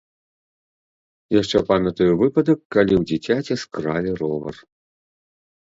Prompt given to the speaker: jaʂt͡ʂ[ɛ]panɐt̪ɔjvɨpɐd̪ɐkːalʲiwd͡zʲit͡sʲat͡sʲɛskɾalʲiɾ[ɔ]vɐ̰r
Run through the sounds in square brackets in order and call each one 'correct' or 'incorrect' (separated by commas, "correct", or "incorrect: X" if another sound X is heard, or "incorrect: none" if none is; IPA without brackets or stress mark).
correct, correct